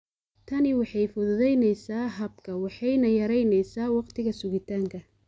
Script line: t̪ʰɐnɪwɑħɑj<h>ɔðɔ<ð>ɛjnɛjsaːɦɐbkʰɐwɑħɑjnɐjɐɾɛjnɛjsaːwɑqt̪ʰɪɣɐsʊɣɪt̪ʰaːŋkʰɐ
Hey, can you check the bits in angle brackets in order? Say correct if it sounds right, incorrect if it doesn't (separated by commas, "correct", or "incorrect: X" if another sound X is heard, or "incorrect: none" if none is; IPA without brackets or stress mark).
incorrect: f, correct